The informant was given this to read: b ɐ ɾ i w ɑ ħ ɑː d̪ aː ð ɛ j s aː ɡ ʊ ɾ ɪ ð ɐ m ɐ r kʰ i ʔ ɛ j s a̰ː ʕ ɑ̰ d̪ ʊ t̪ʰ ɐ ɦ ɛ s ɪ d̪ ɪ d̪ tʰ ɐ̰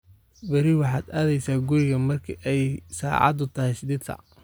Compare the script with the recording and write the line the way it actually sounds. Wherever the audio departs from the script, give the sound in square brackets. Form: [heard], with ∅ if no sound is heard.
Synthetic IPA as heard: b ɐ ɾ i w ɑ ħ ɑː d̪ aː ð ɛ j s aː ɡ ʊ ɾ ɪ [ɣ] ɐ m ɐ r kʰ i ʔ ɛ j s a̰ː ʕ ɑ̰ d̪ ʊ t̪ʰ ɐ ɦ ɛ s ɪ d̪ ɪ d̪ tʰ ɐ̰